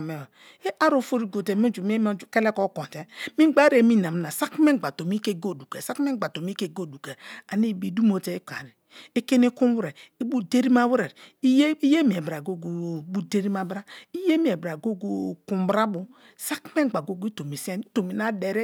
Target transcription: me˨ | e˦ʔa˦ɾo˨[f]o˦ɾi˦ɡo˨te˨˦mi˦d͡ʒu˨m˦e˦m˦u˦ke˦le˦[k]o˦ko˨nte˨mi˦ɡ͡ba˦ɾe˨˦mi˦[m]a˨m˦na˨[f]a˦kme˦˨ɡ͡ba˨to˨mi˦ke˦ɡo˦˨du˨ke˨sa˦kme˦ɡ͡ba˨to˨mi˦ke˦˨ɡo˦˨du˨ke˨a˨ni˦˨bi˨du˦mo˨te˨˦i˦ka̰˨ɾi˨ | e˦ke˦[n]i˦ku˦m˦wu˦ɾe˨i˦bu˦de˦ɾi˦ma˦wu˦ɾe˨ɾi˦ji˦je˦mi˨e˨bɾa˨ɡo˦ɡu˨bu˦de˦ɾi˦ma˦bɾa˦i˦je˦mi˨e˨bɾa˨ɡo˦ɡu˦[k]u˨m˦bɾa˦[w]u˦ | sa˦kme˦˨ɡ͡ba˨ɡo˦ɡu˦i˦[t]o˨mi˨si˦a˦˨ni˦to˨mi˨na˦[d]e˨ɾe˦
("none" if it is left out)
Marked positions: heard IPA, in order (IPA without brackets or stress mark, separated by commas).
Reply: f, k, n, s, n, k, b, t, d